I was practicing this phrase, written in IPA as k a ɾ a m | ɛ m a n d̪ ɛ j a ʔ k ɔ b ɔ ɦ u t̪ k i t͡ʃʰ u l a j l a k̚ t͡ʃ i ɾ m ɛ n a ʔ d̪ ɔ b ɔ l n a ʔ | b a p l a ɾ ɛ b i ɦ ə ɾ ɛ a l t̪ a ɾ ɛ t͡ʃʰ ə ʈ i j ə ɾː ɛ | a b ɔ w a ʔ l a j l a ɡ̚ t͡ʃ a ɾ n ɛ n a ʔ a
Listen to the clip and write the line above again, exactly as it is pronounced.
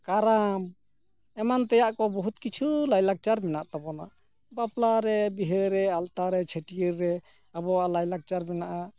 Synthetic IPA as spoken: k a ɾ a m | ɛ m a n t̪ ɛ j a ʔ k ɔ b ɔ ɦ u t̪ k i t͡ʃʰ u l a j l a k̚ t͡ʃ a ɾ m ɛ n a ʔ t̪ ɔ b ɔ n a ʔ | b a p l a ɾ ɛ b i ɦ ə ɾ ɛ a l t̪ a ɾ ɛ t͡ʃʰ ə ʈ i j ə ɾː ɛ | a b ɔ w a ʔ l a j l a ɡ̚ t͡ʃ a ɾ m ɛ n a ʔ a